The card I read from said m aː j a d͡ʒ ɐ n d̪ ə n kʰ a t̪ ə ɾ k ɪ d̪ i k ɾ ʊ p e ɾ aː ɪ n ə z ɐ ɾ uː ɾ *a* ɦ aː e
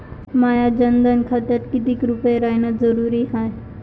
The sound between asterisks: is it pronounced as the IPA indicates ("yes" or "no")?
no